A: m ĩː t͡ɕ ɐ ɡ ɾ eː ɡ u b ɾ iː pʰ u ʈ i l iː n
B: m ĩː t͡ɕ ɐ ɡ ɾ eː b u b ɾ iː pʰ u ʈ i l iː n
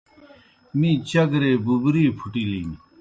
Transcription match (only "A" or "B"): B